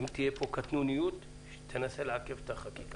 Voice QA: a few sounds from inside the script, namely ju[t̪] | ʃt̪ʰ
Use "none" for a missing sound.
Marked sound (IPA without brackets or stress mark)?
t̪